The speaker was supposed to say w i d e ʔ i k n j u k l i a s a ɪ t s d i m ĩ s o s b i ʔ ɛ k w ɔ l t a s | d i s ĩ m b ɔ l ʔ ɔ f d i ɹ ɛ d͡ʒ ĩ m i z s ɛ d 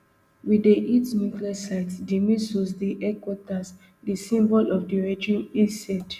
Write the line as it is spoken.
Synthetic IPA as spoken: w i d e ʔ i t n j u k l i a s a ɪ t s d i m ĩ s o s d i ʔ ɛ k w ɔ t a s | d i s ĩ m b ɔ l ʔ ɔ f d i ɹ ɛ d͡ʒ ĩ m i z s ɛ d